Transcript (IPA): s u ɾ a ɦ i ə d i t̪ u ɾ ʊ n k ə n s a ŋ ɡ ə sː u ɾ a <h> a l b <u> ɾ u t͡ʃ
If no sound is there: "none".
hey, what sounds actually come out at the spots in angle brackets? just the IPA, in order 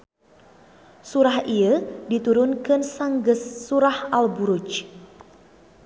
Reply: h, u

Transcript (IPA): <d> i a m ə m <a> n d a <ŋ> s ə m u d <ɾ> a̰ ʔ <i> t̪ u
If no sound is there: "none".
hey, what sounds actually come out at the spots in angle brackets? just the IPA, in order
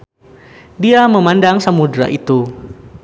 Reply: d, a, ŋ, ɾ, i

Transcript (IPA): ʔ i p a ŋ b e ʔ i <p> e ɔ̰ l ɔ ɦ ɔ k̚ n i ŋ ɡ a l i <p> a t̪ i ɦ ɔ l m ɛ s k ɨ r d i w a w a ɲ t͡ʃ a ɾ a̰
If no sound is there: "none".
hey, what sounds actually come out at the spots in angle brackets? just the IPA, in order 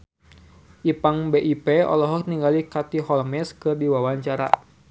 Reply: p, k

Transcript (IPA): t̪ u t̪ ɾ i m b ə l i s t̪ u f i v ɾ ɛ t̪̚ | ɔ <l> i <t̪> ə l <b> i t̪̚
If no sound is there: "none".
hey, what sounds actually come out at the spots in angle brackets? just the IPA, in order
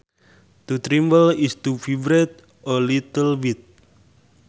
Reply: l, t̪, w

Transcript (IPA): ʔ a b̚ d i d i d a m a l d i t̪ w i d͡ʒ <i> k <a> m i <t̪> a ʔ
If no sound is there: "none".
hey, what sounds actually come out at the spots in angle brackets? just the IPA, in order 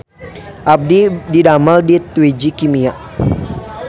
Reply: i, i, none

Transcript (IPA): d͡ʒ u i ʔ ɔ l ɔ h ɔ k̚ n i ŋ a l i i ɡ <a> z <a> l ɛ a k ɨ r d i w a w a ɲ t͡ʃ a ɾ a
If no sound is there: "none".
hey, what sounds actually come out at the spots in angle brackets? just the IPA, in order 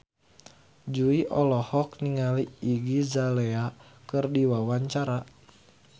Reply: i, a

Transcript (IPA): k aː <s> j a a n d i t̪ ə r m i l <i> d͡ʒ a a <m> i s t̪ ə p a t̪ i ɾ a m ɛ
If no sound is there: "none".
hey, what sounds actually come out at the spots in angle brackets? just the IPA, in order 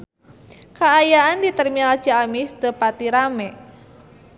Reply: none, a, m

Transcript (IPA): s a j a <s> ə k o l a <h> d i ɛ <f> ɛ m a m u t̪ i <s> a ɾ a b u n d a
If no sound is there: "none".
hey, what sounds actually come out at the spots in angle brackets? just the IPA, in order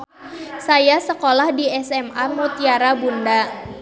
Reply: s, h, s, none

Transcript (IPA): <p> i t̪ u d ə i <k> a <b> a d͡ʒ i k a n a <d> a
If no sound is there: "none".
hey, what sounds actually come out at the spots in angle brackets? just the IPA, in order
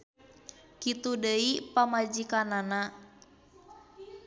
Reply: k, p, m, n

